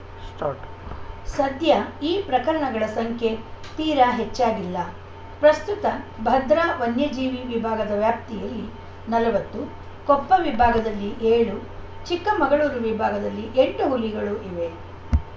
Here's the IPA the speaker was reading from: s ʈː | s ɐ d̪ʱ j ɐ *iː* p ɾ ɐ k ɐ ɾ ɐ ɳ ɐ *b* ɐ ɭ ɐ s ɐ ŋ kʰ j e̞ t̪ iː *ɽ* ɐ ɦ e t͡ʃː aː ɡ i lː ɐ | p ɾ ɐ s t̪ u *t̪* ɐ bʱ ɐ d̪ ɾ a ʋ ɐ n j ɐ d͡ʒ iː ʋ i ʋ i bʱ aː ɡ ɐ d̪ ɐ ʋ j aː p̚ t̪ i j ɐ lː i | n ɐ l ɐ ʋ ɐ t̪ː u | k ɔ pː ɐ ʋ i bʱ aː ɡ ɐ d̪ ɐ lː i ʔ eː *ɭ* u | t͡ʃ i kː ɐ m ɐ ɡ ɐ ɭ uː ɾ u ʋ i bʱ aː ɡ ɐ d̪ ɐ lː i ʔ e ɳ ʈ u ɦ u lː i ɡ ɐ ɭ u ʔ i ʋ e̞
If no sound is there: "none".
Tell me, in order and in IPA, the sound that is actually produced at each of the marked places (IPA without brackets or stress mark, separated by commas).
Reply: iː, ɡ, ɾ, t̪, ɭ